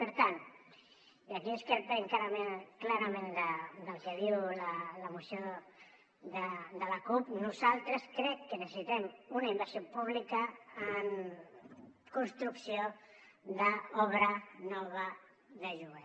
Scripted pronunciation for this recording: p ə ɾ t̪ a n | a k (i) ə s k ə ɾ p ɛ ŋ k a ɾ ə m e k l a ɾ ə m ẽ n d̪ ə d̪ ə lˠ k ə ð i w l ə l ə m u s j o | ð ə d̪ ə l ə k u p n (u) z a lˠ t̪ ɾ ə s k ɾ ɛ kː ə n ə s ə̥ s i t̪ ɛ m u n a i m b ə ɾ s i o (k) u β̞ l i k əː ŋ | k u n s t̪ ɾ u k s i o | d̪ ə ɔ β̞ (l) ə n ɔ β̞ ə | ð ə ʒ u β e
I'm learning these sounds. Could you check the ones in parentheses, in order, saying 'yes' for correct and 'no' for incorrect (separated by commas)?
yes, yes, no, no